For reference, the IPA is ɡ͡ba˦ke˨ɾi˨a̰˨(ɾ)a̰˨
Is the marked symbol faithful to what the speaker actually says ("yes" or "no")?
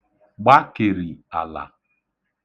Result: no